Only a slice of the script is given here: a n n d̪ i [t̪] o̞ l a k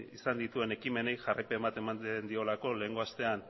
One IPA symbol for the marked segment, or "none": none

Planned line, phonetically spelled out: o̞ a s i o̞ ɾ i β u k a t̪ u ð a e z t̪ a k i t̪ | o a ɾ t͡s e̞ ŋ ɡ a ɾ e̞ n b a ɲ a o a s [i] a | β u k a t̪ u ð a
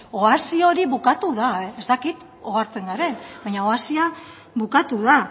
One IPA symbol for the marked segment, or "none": i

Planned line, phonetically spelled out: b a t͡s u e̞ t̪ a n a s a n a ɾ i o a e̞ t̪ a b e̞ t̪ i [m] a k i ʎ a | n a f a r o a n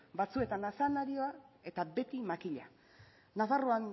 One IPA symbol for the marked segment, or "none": m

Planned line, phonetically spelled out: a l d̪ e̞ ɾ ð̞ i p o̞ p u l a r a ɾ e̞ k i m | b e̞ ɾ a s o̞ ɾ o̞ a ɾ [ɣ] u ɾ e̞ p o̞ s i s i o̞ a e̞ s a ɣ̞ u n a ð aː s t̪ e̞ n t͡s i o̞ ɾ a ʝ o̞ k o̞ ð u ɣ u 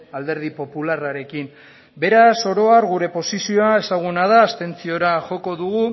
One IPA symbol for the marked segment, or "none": ɣ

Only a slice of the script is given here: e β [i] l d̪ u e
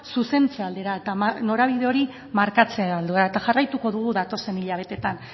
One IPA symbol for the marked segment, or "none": a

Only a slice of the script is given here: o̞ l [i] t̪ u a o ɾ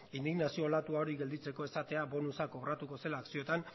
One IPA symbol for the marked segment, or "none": a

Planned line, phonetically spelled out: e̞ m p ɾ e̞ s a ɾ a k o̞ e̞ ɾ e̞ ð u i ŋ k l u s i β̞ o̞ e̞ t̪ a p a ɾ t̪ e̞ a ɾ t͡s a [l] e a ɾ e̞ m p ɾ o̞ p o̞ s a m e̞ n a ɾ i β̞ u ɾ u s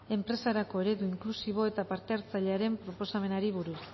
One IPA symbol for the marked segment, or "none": ʎ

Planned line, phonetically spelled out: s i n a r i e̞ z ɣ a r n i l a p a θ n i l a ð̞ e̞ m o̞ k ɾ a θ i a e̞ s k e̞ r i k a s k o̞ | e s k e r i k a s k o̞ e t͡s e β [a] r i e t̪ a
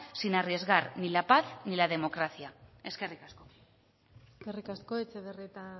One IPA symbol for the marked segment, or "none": e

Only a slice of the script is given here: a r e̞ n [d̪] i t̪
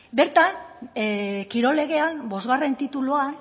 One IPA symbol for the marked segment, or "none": t̪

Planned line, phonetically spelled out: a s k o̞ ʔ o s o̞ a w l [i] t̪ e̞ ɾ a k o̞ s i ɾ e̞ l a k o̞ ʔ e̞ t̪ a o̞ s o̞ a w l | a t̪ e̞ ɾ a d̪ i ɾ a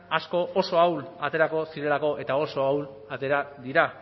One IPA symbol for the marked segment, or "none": a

